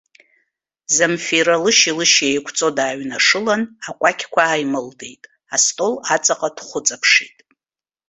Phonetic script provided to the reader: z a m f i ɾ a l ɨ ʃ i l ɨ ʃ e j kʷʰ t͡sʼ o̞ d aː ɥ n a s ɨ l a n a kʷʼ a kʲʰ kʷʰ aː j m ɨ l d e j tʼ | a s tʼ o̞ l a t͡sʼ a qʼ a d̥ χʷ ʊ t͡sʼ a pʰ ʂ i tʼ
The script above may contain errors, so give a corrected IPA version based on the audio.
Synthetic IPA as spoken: z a m f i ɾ a l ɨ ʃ i l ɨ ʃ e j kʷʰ t͡sʼ o̞ d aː ɥ n a ʂ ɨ l a n a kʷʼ a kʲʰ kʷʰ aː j m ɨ l d e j tʼ | a s tʼ o̞ l a t͡sʼ a qʼ a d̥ χʷ ʊ t͡sʼ a pʰ ʂ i tʼ